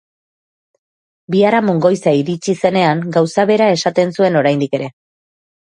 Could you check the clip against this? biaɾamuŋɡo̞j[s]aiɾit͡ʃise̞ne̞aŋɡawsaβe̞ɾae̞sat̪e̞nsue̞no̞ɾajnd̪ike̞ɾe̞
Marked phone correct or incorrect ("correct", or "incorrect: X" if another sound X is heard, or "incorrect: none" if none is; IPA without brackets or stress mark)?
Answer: correct